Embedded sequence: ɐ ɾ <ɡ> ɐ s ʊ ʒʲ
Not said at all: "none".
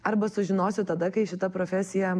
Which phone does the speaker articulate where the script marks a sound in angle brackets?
b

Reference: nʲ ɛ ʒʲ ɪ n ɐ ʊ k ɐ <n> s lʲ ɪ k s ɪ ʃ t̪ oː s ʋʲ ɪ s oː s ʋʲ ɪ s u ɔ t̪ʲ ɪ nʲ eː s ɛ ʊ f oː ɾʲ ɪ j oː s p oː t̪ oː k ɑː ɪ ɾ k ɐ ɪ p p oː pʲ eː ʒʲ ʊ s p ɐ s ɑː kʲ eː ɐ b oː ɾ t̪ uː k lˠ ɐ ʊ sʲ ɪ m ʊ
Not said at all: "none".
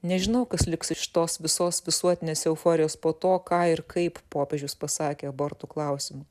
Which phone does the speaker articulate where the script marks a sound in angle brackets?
none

